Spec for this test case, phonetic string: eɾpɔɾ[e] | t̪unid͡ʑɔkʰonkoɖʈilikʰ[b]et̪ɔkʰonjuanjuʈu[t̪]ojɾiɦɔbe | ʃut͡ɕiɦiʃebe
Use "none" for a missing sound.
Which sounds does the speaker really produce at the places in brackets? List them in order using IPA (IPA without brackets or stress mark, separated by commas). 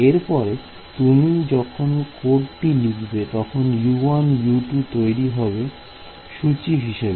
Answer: e, b, t̪